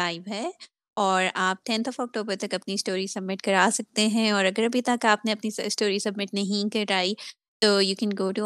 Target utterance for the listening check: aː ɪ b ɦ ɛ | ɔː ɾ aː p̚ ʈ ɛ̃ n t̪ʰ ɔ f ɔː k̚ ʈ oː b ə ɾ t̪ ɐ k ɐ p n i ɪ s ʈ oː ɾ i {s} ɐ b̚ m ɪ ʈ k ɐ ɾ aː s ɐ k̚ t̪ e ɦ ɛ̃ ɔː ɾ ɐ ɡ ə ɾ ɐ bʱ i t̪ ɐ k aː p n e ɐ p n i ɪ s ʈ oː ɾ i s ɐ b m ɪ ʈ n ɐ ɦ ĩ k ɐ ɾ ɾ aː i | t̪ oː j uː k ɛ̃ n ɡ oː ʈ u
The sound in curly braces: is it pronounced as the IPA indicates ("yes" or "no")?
yes